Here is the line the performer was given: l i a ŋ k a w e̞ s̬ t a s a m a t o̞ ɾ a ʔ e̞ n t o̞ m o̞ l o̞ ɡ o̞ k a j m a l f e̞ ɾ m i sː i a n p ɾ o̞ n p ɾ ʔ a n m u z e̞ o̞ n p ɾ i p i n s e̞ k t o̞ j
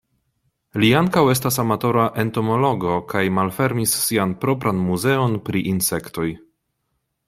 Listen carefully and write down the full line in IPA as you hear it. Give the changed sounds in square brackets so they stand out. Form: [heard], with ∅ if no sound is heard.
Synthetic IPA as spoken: l i a ŋ k a w e̞ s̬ t a s a m a t o̞ ɾ a ʔ e̞ n t o̞ m o̞ l o̞ ɡ o̞ k a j m a l f e̞ ɾ m i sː i a n p ɾ o̞ [∅] p ɾ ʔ a n m u z e̞ o̞ n p ɾ i [ʔ] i n s e̞ k t o̞ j